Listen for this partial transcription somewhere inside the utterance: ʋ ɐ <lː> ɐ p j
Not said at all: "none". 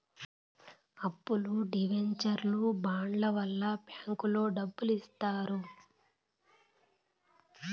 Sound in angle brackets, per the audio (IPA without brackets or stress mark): lː